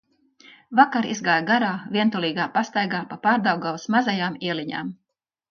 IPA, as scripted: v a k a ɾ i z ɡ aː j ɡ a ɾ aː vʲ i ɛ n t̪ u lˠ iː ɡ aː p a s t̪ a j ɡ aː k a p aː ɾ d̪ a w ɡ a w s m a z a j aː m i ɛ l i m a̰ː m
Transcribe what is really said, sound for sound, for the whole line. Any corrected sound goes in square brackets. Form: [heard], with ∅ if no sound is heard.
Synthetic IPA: v a k a ɾ i z ɡ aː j ɡ a ɾ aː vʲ i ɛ n t̪ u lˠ iː ɡ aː p a s t̪ a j ɡ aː [p] a p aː ɾ d̪ a w ɡ a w s m a z a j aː m i ɛ l i [ɲ] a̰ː m